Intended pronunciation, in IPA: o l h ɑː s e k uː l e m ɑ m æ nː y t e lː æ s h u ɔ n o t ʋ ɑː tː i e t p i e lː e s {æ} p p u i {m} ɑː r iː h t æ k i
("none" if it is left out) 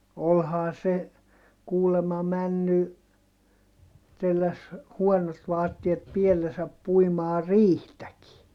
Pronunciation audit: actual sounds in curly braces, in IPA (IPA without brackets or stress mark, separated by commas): æ, m